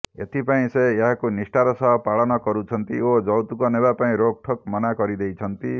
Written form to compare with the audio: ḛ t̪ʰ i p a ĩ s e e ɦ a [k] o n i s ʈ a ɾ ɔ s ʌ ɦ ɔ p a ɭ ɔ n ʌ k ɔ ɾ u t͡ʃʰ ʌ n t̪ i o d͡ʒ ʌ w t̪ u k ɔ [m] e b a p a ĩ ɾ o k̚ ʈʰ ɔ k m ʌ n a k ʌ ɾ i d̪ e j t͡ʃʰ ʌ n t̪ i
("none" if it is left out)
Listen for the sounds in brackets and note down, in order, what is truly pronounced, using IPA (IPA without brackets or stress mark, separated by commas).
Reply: k, n